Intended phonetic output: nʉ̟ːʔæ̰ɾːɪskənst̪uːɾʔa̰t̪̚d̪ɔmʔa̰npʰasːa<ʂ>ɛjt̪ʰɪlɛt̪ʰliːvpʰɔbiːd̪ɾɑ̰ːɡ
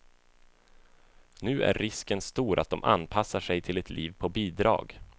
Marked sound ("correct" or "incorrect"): correct